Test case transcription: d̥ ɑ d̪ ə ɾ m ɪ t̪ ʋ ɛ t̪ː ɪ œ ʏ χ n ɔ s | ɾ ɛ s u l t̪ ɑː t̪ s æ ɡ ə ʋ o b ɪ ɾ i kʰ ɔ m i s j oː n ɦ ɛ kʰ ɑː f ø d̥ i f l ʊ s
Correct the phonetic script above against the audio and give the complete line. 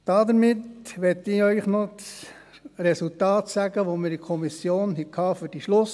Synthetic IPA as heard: d̥ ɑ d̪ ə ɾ m ɪ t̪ ʋ ɛ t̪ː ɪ œ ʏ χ n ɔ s | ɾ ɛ s u l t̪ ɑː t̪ s æ ɡ ə ʋ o m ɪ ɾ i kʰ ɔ m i s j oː n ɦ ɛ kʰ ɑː f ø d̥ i ʃ l ʊ s